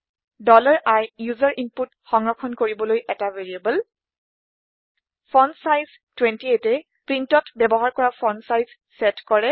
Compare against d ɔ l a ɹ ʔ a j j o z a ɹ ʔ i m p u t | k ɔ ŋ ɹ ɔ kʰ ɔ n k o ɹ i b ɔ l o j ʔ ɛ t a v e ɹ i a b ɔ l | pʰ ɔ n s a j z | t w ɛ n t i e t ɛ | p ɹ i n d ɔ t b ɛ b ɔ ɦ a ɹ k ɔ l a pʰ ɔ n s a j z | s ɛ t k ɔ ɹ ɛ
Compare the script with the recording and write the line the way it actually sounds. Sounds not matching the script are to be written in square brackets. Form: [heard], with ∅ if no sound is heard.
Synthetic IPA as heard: d ɔ l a ɹ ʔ a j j [u] z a ɹ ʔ i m p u t | [x] ɔ ŋ ɹ ɔ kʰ ɔ n k o ɹ i b ɔ l o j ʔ ɛ t a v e ɹ i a b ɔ l | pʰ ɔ n s a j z | t w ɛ n t i e t ɛ | p ɹ i n [t] ɔ t b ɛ b ɔ ɦ a ɹ k ɔ [ɹ] a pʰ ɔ n s a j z | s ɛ t k ɔ ɹ ɛ